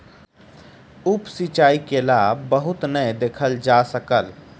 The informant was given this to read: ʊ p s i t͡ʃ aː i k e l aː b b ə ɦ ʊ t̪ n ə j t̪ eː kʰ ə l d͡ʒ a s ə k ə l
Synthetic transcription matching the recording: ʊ p s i t͡ʃ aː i k e l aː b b ə ɦ ʊ t̪ n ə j d̪ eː kʰ ə l d͡ʒ a s ə k ə l